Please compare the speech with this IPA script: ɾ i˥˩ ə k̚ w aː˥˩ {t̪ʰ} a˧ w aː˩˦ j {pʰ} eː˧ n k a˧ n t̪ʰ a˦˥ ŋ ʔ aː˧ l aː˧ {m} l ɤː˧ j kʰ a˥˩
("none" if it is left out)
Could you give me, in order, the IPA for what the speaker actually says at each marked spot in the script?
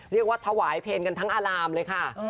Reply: t̪ʰ, pʰ, m

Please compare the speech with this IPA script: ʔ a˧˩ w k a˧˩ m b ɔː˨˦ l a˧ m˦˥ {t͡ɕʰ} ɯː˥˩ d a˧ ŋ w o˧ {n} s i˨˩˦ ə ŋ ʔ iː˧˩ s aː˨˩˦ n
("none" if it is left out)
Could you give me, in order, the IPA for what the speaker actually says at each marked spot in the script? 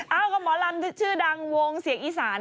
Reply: t͡ɕʰ, ŋ

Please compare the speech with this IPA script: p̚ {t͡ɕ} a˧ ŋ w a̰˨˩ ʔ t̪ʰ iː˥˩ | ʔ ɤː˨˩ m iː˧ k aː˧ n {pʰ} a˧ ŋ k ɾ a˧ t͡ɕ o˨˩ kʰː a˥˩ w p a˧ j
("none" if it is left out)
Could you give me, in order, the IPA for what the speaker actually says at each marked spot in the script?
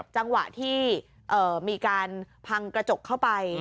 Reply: t͡ɕ, pʰ

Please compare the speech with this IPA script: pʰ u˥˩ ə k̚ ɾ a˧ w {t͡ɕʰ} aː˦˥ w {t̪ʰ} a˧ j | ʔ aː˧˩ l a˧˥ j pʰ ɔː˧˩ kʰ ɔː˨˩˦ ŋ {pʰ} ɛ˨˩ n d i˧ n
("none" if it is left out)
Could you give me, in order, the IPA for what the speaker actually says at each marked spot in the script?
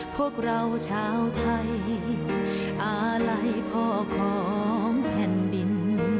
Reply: t͡ɕʰ, t̪ʰ, pʰ

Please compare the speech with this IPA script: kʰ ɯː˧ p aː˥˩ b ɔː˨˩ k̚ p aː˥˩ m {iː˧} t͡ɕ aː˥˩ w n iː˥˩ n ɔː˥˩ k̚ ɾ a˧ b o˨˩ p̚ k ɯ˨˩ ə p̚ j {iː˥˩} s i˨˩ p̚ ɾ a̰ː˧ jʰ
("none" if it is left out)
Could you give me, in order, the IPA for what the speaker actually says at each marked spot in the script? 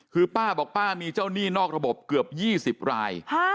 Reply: iː˧, iː˥˩

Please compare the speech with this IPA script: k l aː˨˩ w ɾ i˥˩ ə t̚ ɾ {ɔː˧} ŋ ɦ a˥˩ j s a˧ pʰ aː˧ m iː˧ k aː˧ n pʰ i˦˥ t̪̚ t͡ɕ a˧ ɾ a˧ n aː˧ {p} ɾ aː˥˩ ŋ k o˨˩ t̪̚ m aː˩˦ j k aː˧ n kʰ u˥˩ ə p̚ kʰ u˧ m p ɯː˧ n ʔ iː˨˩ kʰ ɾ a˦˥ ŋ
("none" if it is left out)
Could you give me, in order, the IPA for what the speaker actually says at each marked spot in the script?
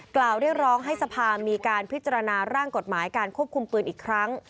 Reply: ɔː˦˥, none

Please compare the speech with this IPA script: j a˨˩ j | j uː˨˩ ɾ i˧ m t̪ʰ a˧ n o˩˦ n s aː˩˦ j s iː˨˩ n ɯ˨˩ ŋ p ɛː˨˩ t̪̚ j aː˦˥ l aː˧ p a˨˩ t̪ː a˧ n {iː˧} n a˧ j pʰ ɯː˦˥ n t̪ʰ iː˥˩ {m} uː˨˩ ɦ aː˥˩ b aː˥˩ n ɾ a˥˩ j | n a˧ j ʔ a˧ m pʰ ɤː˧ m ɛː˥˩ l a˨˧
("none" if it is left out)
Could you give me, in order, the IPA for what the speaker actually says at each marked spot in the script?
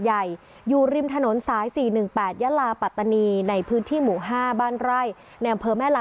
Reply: iː˧, m

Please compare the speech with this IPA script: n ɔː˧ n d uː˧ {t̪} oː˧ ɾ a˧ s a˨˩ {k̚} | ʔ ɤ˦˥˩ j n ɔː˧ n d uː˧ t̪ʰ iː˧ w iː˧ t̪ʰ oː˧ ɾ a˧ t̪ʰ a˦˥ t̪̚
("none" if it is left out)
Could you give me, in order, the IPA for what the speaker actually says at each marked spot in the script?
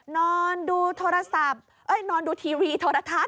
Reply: t̪ʰ, p̚

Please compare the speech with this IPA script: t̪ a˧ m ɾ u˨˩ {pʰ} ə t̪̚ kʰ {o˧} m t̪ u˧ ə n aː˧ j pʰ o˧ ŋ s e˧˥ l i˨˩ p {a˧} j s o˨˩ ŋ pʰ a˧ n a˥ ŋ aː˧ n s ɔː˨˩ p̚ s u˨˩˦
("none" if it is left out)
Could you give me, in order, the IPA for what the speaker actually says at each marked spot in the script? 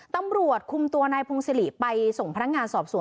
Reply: none, u˧, a˧

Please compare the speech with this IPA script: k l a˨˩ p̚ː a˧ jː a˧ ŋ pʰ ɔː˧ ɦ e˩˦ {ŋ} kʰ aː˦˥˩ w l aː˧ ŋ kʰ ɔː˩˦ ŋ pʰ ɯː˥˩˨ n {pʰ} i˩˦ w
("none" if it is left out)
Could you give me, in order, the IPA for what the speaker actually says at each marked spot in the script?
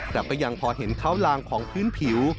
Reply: n, pʰ

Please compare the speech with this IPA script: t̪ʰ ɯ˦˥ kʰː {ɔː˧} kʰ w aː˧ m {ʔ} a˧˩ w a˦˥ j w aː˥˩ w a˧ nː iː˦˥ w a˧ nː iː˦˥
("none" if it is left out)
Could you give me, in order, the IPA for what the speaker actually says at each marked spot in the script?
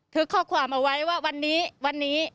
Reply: ɔː˥˩, ʔ

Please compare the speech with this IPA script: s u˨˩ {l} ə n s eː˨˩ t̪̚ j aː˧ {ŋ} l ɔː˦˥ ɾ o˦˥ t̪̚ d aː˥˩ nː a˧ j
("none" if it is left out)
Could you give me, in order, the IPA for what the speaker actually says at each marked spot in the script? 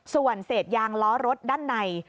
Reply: none, ŋ

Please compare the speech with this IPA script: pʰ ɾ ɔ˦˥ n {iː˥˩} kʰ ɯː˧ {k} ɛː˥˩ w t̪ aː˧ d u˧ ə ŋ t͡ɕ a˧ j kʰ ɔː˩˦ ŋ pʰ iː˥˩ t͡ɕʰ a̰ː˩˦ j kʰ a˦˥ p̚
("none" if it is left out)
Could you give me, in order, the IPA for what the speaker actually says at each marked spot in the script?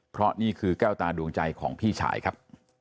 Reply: iː˥˩, k

